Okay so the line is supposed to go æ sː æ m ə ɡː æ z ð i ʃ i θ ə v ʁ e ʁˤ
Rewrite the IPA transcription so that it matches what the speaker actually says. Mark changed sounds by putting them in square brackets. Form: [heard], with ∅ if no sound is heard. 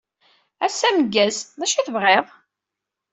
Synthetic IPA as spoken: æ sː æ m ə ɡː æ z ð [æ] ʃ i θ ə v ʁ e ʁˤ